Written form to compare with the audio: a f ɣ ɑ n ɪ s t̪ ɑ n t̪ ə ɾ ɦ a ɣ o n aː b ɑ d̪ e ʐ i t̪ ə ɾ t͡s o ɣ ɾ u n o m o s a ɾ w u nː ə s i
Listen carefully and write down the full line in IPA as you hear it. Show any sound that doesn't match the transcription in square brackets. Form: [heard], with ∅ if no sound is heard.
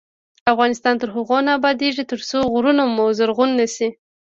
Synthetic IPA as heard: a f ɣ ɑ n ɪ s t̪ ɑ n t̪ ə ɾ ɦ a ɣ o n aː b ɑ d̪ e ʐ i t̪ ə ɾ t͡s o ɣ ɾ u n o m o [z] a ɾ [ɣ] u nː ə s i